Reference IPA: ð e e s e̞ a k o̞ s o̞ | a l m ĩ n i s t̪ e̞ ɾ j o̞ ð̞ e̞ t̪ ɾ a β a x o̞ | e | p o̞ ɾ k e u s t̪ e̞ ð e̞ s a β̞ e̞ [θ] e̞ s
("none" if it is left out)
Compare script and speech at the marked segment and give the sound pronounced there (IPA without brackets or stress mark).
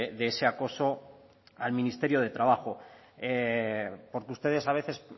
θ